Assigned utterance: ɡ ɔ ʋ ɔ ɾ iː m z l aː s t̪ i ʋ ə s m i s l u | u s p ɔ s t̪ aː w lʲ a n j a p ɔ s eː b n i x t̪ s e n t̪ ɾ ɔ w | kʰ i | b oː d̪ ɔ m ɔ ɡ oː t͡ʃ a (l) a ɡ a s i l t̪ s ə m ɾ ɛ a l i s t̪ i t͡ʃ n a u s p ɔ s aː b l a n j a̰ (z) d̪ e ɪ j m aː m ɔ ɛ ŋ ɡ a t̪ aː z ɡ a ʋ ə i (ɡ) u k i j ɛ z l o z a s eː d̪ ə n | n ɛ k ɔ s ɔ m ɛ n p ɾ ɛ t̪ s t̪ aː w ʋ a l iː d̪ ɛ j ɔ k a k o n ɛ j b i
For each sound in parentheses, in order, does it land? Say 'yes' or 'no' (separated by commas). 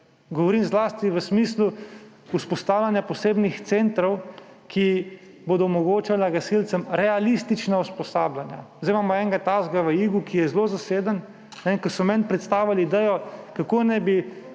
yes, yes, yes